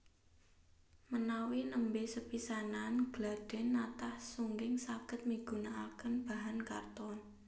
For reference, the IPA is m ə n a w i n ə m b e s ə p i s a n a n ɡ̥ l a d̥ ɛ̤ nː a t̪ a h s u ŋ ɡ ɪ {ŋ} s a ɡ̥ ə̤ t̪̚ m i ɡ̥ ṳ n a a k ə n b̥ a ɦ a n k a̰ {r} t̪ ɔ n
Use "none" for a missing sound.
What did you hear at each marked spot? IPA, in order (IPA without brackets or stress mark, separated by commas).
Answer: ŋ, r